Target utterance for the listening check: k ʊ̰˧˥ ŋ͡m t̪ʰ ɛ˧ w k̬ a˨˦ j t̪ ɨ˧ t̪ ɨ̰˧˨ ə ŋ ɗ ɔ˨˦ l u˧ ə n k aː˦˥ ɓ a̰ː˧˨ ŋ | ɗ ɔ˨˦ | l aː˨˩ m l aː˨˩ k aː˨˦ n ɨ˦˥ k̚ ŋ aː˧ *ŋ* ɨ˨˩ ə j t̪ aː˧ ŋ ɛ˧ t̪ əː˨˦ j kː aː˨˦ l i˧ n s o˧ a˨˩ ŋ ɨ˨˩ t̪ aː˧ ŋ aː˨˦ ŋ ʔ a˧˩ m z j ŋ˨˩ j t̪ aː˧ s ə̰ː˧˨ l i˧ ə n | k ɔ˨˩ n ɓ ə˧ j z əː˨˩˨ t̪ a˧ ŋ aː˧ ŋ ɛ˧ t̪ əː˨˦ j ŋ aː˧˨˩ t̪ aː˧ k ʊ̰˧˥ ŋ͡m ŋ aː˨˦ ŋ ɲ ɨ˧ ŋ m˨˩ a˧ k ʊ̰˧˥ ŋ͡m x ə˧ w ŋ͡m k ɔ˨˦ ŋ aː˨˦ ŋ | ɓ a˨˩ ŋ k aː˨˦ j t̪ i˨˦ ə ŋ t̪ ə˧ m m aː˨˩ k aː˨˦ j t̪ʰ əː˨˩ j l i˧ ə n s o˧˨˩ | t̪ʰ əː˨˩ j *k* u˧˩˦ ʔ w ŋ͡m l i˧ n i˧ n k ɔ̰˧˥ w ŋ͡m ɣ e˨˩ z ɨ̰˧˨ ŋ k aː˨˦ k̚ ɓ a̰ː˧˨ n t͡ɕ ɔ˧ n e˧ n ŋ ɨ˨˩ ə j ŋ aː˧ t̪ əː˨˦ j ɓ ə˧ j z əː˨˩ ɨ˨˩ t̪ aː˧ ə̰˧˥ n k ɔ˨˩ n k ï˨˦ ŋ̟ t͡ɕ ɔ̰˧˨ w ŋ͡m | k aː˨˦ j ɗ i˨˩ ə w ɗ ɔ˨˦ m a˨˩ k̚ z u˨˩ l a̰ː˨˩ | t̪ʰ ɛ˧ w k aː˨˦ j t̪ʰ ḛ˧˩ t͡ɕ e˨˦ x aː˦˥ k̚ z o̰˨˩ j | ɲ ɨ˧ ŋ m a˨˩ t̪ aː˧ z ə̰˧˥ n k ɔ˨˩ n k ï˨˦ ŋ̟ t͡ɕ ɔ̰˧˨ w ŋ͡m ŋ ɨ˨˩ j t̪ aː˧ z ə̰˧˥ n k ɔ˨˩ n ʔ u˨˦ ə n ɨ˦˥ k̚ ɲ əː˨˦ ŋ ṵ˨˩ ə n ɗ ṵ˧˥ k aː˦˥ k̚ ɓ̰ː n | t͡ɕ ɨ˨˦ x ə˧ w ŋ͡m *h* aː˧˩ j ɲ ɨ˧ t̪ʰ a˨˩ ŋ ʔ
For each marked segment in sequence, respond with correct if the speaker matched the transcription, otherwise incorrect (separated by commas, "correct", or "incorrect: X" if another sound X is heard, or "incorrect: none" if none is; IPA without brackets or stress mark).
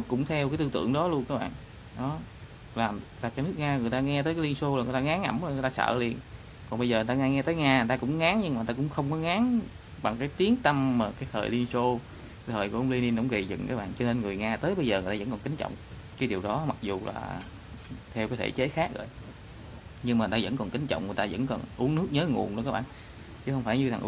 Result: correct, correct, incorrect: f